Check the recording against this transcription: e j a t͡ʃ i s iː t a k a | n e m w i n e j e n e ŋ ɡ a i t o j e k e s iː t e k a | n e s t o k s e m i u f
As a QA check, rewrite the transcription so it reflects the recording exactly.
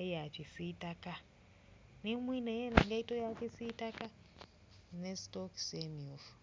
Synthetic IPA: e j a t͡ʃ i s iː t a k a | n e m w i n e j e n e ŋ ɡ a i t o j a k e s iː t a k a | n e s t o k s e m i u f